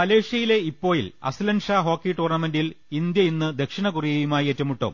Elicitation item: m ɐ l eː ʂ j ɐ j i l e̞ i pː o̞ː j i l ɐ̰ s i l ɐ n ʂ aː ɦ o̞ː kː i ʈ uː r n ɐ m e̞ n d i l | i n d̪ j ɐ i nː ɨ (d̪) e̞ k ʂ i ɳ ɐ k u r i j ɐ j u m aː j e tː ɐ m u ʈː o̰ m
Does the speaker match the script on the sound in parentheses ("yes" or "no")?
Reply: yes